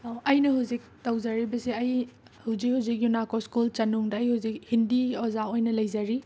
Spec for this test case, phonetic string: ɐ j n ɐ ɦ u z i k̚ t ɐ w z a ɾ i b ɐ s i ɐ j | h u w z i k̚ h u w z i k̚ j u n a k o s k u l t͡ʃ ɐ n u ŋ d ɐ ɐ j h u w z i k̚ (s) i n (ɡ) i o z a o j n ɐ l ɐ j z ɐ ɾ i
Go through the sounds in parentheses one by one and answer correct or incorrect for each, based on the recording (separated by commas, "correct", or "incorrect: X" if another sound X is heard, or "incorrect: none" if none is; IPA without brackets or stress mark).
incorrect: h, incorrect: d